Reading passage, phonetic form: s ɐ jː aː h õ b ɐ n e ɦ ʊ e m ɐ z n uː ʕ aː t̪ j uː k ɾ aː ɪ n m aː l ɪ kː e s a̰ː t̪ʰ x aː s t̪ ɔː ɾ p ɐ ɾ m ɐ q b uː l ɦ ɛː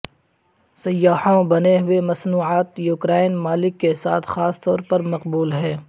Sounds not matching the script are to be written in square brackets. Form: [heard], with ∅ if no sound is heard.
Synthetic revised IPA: s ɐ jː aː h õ b ɐ n e ɦ ʊ e m ɐ [s] n uː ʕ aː t̪ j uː k ɾ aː ɪ n m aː l ɪ kː e s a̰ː t̪ʰ x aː s t̪ ɔː ɾ p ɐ ɾ m ɐ q b uː l ɦ ɛː